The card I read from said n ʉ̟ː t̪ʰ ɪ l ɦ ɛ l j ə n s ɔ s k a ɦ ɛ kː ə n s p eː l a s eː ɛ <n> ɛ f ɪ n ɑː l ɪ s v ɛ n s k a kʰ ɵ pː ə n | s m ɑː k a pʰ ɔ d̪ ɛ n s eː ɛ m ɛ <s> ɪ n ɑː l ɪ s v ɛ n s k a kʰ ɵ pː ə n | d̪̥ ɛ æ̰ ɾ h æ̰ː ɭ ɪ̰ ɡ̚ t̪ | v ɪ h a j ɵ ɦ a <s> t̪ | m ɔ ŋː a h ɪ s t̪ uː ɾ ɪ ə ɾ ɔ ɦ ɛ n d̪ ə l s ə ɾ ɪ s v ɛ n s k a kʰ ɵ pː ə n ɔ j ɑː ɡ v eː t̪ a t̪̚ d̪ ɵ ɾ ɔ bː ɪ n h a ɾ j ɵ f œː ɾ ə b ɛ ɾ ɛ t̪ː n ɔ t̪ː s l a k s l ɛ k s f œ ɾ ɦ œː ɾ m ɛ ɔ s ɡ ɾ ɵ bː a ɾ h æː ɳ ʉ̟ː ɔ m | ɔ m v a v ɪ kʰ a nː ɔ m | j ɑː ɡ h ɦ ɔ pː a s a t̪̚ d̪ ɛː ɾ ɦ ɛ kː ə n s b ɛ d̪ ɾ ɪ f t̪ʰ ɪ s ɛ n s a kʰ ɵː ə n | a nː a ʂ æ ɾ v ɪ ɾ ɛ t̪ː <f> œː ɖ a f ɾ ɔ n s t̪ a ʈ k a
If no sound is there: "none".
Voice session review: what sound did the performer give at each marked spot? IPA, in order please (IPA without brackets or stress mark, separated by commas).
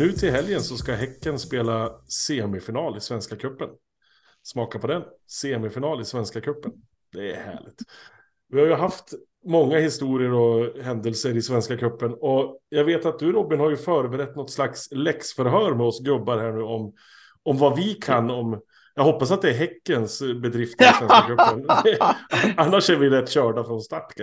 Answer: m, f, f, ɕ